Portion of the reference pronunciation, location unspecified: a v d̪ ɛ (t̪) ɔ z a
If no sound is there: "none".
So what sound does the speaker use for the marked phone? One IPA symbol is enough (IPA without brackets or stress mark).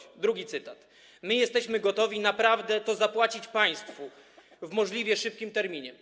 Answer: t̪